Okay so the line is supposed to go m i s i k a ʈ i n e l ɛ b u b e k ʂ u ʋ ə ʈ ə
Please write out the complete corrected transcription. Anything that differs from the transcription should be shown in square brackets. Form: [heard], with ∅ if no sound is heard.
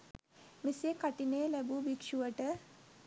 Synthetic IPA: m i s [e] k a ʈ i n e l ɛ b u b [i] k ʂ u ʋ ə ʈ ə